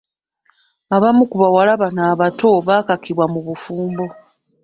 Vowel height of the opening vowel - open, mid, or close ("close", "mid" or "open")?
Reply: open